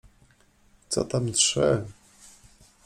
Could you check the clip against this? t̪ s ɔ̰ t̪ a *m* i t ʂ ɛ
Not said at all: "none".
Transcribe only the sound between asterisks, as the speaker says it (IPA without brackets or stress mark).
m